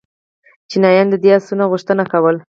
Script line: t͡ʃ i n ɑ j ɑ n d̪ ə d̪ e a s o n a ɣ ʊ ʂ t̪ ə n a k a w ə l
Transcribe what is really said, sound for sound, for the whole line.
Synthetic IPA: t͡ʃ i n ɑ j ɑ n d̪ ə d̪ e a s u n a ɣ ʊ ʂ t̪ ə n a k a w ə l